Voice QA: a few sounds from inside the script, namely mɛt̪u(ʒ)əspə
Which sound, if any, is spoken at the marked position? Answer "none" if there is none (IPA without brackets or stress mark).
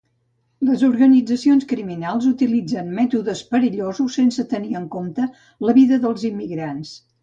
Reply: ð